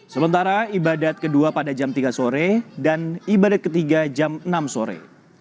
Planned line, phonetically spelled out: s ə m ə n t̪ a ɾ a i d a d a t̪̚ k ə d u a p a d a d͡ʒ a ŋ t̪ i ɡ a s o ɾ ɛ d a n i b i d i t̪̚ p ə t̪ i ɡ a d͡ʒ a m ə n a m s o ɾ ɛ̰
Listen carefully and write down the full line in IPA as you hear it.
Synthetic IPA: s ə m ə n t̪ a ɾ a i b a d a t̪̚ k ə d u a p a d a d͡ʒ a m t̪ i ɡ a s o ɾ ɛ d a n i b a d a t̪̚ k ə t̪ i ɡ a d͡ʒ a m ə n a m s o ɾ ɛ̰